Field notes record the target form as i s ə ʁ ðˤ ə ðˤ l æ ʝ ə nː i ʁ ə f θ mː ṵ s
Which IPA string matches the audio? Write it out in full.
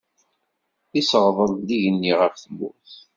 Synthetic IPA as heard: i s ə ʁ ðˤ ə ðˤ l i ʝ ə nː i ʁ ə f θ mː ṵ θ